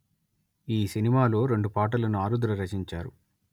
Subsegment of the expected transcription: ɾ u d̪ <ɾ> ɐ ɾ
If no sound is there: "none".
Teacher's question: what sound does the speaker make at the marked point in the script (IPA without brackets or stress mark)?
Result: ɾ